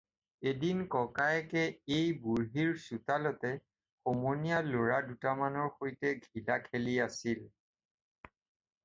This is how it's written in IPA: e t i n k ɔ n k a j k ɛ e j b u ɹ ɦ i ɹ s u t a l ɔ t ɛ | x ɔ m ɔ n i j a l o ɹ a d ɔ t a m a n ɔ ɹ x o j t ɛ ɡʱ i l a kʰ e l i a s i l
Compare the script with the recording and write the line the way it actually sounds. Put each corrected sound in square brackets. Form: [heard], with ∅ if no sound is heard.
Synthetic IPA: e [d] i n k ɔ [∅] k a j k ɛ e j b u ɹ ɦ i ɹ s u t a l ɔ t ɛ | x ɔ m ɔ n i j a l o ɹ a d [u] t a m a n ɔ ɹ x o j t ɛ ɡʱ i l a kʰ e l i a s i l